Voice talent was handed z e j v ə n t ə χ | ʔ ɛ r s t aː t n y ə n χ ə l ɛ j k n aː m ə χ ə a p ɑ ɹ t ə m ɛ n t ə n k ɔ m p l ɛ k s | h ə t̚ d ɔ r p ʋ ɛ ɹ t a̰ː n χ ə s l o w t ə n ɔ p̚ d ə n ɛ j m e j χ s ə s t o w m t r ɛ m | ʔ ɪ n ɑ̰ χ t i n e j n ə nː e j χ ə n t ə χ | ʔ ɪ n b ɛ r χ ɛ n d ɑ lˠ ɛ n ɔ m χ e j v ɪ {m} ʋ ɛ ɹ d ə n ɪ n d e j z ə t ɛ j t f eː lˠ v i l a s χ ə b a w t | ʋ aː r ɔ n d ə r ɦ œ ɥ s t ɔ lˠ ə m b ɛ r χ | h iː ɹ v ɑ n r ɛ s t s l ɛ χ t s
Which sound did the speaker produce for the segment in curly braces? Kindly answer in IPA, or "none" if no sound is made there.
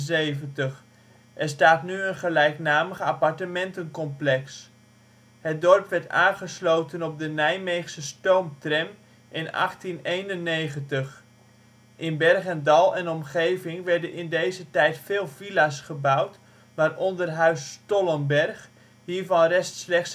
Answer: ŋ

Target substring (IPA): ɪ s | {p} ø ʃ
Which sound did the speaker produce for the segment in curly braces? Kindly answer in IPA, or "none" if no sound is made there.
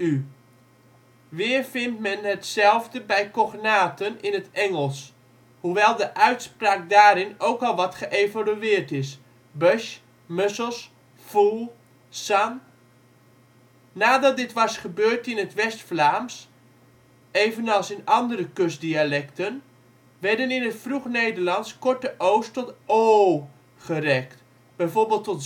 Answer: b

